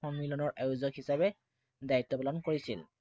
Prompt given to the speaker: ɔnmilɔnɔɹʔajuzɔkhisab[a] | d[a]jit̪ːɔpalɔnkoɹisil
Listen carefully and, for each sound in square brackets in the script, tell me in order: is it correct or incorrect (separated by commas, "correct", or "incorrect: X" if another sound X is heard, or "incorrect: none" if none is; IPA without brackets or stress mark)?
incorrect: ɛ, correct